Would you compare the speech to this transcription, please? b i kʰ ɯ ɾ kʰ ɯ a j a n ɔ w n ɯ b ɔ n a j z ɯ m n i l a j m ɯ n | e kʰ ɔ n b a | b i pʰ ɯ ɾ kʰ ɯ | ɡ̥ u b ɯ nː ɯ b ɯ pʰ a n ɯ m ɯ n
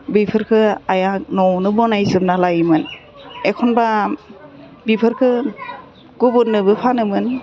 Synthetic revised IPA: b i pʰ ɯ ɾ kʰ ɯ a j a n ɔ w n ɯ b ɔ n a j z ɯ m n a l a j m ɯ n | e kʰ ɔ n b a | b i pʰ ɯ ɾ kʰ ɯ | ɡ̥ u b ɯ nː ɯ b ɯ pʰ a n ɯ m ɯ n

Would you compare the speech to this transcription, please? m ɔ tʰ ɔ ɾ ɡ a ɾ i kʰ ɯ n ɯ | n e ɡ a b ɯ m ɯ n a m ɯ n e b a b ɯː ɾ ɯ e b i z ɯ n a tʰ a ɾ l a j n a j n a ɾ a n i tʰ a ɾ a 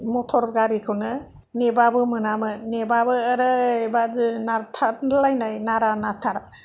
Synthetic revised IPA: m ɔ tʰ ɔ ɾ ɡ a ɾ i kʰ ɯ n ɯ | n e b a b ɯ m ɯ n a m ɯ n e b a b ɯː ɾ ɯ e b a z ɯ n a tʰ a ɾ l a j n a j n a ɾ a n a tʰ a ɾ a

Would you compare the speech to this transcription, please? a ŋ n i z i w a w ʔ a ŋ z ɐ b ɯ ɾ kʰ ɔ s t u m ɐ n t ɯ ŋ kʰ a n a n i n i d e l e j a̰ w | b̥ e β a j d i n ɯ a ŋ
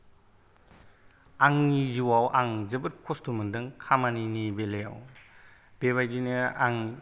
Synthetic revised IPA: a ŋ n i z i w a w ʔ a ŋ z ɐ b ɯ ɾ kʰ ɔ s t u m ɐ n d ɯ ŋ kʰ a m a n i n i b e l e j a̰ w | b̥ e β a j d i n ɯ a ŋ

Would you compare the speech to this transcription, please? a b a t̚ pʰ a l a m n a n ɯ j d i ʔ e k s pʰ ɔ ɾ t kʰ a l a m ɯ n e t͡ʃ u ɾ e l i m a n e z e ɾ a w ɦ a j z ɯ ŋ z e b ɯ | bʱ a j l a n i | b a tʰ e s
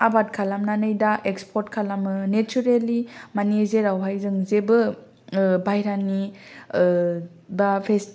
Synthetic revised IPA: a b a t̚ kʰ a l a m n a n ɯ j d a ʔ e k s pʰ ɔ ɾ t kʰ a l a m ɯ n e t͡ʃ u ɾ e l i m a n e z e ɾ a w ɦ a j z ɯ ŋ z e b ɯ | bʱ a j ɾ a n i | b a pʰ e s

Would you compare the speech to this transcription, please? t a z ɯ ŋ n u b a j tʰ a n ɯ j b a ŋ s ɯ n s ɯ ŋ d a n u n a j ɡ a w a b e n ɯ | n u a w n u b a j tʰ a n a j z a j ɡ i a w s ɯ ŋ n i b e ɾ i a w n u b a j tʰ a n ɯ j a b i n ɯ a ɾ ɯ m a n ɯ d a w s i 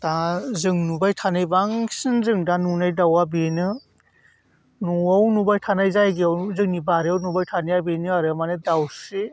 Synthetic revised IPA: t a z ɯ ŋ n u b a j tʰ a n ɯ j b a ŋ s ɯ n z ɯ ŋ d a n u n a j d a w a b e n ɯ | n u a w n u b a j tʰ a n a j z a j ɡ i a w z ɯ ŋ n i b a ɾ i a w n u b a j tʰ a n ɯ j a b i n ɯ a ɾ ɯ m a n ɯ d a w s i

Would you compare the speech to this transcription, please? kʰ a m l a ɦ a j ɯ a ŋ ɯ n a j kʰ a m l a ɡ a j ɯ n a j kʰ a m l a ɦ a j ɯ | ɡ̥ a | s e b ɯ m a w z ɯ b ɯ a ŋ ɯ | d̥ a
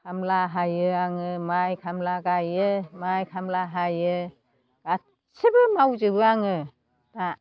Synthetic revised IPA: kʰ a m l a ɦ a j ɯ a ŋ ɯ m a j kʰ a m l a ɡ a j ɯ m a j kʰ a m l a ɦ a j ɯ | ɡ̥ a | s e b ɯ m a w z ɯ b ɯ a ŋ ɯ | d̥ a

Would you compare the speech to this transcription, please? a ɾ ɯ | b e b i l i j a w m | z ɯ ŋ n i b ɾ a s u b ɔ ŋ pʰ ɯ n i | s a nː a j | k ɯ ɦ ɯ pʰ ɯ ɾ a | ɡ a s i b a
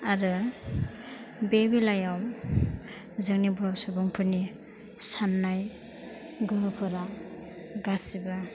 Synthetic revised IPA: a ɾ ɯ | b e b i l a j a w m | z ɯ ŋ n i b ɾ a s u b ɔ ŋ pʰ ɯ n i | s a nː a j | ɡ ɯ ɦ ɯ pʰ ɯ ɾ a | ɡ a s i b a

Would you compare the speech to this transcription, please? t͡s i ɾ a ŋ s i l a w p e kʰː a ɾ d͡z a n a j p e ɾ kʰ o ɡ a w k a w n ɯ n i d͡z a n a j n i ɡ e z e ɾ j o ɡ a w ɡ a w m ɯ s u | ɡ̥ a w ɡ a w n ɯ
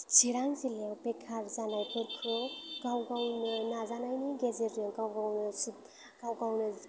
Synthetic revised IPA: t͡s i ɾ a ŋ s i l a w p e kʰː a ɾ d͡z a n a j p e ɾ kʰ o ɡ a w ɡ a w n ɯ n a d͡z a n a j n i ɡ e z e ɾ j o ɡ a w ɡ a w n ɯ s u | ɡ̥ a w ɡ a w n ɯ

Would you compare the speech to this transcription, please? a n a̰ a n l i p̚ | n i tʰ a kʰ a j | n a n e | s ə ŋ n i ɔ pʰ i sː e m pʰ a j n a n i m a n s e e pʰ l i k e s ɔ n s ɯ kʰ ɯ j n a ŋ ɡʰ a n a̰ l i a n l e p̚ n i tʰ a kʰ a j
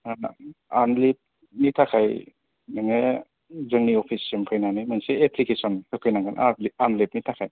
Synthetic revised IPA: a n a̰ a n l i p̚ | n i tʰ a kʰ a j | n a ŋ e | z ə ŋ n i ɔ pʰ i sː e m pʰ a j n a n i m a n s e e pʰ l i k e s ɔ n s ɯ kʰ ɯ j n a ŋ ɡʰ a n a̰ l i a n l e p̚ n i tʰ a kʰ a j

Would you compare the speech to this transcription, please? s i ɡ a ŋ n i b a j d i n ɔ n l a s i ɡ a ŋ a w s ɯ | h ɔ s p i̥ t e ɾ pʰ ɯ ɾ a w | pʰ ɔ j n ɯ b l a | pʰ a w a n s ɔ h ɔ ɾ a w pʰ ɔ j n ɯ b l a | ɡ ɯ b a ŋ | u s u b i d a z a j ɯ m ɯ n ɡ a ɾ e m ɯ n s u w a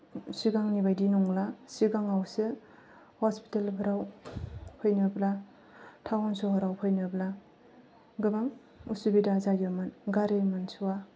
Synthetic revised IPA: s i ɡ a ŋ n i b a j d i n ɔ ŋ l a s i ɡ a ŋ a w s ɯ | h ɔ s p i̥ t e l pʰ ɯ ɾ a w | pʰ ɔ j n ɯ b l a | tʰ a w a n s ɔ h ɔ ɾ a w pʰ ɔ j n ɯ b l a | ɡ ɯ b a ŋ | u s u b i d a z a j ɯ m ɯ n ɡ a ɾ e m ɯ n s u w a

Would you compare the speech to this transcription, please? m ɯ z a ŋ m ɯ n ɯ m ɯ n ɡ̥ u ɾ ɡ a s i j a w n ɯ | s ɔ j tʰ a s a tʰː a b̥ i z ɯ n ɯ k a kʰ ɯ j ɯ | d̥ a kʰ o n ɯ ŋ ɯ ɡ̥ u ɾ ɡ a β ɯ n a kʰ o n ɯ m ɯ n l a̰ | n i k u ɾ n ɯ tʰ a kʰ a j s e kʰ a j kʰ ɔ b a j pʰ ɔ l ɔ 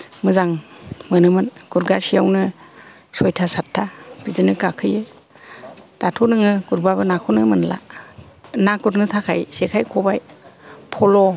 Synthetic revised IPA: m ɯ z a ŋ m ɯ n ɯ m ɯ n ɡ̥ u ɾ ɡ a s i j a w n ɯ | s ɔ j tʰ a s a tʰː a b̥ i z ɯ n ɯ k a kʰ ɯ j ɯ | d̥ a tʰ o n ɯ ŋ ɯ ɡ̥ u ɾ b a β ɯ n a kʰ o n ɯ m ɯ n l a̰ | n a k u ɾ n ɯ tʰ a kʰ a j s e kʰ a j kʰ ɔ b a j pʰ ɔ l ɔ

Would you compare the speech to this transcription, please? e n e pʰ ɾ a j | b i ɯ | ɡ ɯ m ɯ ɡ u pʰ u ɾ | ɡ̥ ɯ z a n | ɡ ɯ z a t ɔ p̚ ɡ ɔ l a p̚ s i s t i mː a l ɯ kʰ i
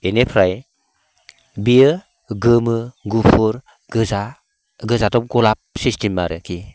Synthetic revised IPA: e n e pʰ ɾ a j | b i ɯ | ɡ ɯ m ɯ ɡ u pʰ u ɾ | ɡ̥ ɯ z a | ɡ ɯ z a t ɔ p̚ ɡ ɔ l a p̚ s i s t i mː a ɾ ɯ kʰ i

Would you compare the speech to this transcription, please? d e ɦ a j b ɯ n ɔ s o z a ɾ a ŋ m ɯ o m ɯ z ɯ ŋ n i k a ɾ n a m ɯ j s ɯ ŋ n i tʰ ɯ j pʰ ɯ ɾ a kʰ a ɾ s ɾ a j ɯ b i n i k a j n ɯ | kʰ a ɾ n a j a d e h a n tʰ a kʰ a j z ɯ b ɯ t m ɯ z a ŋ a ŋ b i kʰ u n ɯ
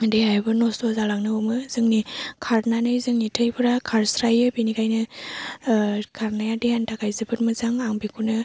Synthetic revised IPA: d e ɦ a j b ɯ n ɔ s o z a l a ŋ n ɯ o m ɯ z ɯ ŋ n i kʰ a ɾ n a n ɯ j z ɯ ŋ n i tʰ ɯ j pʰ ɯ ɾ a kʰ a ɾ s ɾ a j ɯ b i n i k a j n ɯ | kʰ a ɾ n a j a d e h a n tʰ a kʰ a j z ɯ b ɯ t m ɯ z a ŋ a ŋ b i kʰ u n ɯ

